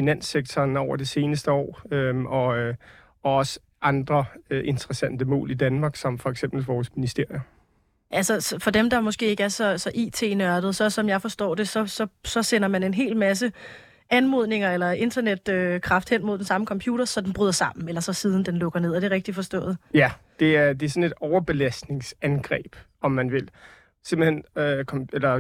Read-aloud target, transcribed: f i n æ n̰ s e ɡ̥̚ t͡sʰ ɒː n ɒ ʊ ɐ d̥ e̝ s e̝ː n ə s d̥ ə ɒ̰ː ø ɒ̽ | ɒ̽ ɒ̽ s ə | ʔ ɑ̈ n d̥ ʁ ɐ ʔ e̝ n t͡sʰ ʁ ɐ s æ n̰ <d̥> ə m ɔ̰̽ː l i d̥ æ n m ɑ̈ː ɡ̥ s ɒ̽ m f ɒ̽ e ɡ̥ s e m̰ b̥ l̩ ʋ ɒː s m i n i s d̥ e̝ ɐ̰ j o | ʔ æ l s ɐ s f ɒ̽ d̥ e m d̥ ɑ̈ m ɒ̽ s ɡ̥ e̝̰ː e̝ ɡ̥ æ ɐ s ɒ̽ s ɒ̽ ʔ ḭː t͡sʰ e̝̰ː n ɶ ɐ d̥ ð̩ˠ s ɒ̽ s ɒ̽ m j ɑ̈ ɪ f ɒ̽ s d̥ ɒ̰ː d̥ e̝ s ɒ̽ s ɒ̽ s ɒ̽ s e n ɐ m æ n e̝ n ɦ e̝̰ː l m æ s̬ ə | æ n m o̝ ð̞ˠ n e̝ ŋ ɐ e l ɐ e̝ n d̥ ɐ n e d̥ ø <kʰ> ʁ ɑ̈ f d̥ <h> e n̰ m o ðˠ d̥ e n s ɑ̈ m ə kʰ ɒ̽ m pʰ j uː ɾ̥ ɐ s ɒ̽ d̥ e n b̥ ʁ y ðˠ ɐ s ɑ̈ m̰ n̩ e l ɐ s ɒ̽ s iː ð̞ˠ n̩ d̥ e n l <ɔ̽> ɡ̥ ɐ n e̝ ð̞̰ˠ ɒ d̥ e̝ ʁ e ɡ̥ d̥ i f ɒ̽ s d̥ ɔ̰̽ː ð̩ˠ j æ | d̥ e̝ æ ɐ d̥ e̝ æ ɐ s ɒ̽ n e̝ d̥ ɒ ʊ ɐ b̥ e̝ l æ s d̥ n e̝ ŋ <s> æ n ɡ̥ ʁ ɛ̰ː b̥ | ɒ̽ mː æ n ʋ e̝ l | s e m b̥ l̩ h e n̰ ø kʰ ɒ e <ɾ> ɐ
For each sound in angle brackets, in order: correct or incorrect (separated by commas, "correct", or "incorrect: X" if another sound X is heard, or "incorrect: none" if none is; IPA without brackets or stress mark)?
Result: correct, correct, correct, correct, correct, incorrect: l